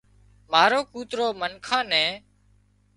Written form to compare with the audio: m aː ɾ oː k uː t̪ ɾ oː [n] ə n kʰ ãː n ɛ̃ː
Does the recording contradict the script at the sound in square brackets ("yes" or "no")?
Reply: yes